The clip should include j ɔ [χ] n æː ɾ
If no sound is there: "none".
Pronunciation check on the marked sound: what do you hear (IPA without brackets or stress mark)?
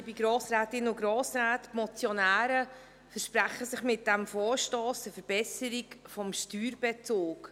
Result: none